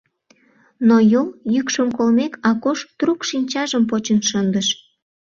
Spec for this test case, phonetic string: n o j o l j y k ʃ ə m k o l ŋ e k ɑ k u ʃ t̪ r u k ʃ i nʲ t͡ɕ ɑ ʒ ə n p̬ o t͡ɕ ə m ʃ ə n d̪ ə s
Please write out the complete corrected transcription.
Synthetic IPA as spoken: n o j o l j y k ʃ ə m k o l m e k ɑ k o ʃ t̪ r u k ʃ i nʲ t͡ɕ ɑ ʒ ə m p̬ o t͡ɕ ə n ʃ ə n d̪ ə ʃ